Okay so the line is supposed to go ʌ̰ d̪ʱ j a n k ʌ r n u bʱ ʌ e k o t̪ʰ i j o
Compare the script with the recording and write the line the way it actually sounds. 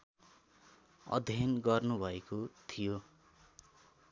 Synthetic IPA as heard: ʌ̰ d̪ʱ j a n ɡ ʌ r n u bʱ ʌ e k o t̪ʰ i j o

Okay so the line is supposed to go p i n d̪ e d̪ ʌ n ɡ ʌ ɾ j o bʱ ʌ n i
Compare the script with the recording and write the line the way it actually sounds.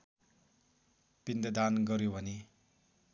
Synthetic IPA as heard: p i n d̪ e d̪ a n ɡ ʌ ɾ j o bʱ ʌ n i

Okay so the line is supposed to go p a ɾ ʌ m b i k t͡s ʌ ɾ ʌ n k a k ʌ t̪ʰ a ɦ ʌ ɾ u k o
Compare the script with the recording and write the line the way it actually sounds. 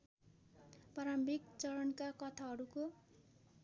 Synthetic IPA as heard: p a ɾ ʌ m b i k t͡s ʌ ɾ ʌ n k a k ʌ t̪ʰ a ɦ ʌ ɾ u k o

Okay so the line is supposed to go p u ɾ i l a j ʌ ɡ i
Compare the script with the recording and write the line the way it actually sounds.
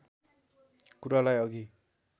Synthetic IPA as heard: k u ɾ a l a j ʌ ɡ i

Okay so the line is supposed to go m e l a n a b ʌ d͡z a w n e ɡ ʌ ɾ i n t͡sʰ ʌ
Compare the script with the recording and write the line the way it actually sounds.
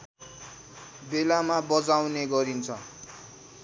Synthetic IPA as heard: b e l a m a b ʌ d͡z a w n e ɡ ʌ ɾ i n t͡sʰ ʌ

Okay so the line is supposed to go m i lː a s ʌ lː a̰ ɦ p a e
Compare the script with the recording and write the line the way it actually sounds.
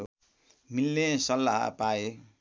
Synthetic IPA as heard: m i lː e s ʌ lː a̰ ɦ p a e

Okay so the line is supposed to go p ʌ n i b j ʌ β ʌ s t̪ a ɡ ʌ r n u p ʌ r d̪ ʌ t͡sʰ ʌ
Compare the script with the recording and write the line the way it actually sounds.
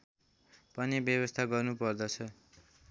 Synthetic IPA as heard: p ʌ n i b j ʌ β ʌ s t̪ʰ a ɡ ʌ r n u p ʌ r d̪ ʌ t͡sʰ ʌ

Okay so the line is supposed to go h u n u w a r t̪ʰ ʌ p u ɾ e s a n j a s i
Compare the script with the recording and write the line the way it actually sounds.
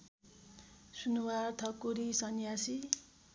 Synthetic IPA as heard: s u n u w a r t̪ʰ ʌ k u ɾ i s ʌ n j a s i

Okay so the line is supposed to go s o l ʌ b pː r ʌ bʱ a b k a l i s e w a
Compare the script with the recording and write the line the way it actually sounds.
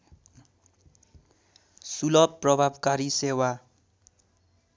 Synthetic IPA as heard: s u l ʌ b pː r ʌ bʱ a b k a ɾ i s e w a

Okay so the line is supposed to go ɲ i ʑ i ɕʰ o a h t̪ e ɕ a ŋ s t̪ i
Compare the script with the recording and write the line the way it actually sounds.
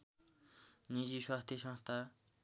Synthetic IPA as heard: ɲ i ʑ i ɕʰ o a h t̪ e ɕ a ŋ h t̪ a

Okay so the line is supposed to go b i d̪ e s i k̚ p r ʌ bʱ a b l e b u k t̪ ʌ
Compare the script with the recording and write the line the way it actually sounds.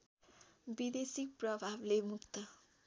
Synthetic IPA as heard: b i d̪ e s i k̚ p r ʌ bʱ a b l e m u k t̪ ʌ

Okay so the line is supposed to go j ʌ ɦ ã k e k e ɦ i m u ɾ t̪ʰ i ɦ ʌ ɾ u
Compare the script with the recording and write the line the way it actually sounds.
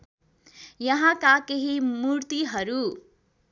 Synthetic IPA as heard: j ʌ ɦ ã k a k e ɦ i m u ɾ t̪ i ɦ ʌ ɾ u

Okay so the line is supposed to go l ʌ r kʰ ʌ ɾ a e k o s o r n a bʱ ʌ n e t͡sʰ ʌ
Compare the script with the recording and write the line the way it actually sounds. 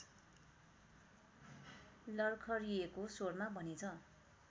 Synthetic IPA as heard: l ʌ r kʰ ʌ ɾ i e k o s o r m a bʱ ʌ n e t͡sʰ ʌ

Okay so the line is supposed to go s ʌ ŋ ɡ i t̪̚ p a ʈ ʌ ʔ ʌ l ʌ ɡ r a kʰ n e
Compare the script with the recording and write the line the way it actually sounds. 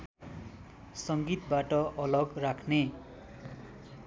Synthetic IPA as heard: s ʌ ŋ ɡ i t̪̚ b a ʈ ʌ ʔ ʌ l ʌ ɡ r a kʰ n e

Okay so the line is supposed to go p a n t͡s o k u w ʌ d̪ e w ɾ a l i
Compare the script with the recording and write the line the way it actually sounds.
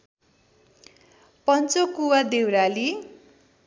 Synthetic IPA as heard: p ʌ n t͡s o k u w a d̪ e w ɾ a l i

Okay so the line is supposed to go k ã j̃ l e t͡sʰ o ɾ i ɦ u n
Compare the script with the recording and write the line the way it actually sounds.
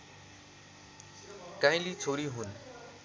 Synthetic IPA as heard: k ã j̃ l i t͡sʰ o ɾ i ɦ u n

